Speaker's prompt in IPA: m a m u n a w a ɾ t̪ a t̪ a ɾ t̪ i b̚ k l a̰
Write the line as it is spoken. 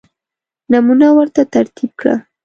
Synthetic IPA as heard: n a m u n a w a ɾ t̪ a t̪ a ɾ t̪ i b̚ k ɽ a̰